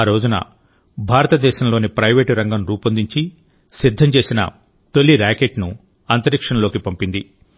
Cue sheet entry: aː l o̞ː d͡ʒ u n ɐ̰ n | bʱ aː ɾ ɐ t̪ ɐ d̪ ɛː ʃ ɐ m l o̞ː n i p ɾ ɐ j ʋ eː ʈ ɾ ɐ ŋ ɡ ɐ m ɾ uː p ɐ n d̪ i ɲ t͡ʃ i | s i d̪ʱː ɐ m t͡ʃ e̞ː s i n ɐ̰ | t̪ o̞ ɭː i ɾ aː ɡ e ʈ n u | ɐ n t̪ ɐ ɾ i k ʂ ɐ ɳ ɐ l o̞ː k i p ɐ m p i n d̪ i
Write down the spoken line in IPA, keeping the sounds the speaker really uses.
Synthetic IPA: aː ɾ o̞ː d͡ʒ u n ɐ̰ | bʱ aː ɾ ɐ t̪ ɐ d̪ ɛː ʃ ɐ m l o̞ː n i p ɾ ɐ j ʋ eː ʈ ɾ ɐ ŋ ɡ ɐ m ɾ uː p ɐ n d̪ i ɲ t͡ʃ i | s i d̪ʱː ɐ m t͡ʃ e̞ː s i n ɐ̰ | t̪ o̞ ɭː i ɾ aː k e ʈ n u | ɐ n t̪ ɐ ɾ i k ʂ ɐ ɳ ɐ l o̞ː k i p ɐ m p i n d̪ i

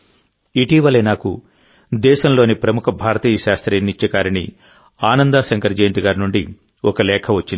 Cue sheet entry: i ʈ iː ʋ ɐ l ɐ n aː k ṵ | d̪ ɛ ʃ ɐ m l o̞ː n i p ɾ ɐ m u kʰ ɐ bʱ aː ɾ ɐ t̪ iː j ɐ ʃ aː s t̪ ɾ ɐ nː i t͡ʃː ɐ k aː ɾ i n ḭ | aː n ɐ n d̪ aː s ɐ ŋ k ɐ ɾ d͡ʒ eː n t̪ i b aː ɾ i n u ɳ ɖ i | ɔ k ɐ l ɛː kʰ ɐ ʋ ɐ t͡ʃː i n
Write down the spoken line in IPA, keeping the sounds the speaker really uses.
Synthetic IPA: i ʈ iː ʋ ɐ l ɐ n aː k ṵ | d̪ ɛː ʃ ɐ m l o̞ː n i p ɾ ɐ m u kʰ ɐ bʱ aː ɾ ɐ t̪ iː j ɐ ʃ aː s t̪ ɾ ɐ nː i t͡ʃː ɐ k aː ɾ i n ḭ | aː n ɐ n d̪ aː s ɐ ŋ k ɐ ɾ d͡ʒ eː n t̪ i ɡ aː ɾ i n u ɳ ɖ i | ɔ k ɐ l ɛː kʰ ɐ ʋ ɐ t͡ʃː i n

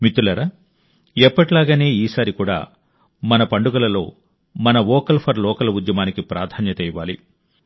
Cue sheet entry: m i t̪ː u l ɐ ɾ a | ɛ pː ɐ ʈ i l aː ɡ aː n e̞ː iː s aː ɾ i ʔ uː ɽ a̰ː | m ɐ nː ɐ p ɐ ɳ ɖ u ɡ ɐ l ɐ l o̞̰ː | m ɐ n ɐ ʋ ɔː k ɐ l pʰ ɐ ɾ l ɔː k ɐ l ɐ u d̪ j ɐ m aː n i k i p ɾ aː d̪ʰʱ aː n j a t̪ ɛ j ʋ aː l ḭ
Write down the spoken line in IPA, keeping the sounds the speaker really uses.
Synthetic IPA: m i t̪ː u l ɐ ɾ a | ɛ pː ɐ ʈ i l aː ɡ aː n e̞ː iː s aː ɾ i k uː ɽ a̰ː | m ɐ n ɐ p ɐ ɳ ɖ u ɡ ɐ l ɐ l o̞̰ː | m ɐ n ɐ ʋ ɔː k ɐ l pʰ ɐ ɾ l ɔː k ɐ l ɐ u d̪ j ɐ m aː n i k i p ɾ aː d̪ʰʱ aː n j ɐ t̪ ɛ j ʋ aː l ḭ

